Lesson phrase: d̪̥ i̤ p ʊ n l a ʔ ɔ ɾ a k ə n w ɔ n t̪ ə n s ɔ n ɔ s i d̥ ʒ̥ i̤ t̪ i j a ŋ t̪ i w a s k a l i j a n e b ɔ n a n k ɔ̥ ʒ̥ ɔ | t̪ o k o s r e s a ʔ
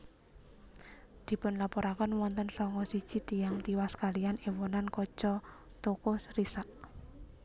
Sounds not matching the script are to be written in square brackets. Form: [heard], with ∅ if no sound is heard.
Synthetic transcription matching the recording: d̪̥ i̤ p ʊ n l a [p] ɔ ɾ a k ə n w ɔ n t̪ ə n s ɔ [ŋ] ɔ s i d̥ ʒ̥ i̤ t̪ i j a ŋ t̪ i w a s k a l i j a n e [w] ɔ n a n k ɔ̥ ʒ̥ ɔ | t̪ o k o s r [i] s a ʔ